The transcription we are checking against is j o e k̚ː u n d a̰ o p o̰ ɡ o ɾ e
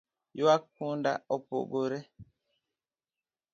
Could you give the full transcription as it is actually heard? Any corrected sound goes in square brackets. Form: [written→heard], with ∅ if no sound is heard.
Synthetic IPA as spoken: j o [e→a] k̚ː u n d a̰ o p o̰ ɡ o ɾ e